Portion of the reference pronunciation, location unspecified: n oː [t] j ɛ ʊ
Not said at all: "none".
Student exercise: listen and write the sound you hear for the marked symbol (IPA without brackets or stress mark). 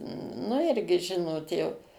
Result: t